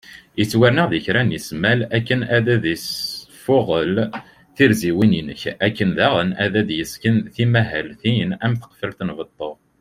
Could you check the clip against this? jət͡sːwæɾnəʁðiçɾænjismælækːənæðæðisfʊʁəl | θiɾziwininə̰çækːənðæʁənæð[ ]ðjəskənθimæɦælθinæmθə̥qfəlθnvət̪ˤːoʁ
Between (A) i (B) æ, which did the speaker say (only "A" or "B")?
B